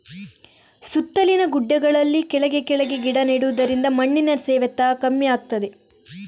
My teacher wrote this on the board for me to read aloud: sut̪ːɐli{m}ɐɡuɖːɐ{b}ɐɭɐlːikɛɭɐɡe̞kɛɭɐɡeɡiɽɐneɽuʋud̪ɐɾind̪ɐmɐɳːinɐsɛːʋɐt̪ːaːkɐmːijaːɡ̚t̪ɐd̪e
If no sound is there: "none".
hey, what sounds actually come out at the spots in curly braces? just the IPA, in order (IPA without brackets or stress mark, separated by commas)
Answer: n, ɡ